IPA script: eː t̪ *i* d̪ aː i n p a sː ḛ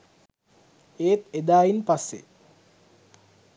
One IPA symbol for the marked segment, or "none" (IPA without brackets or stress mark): e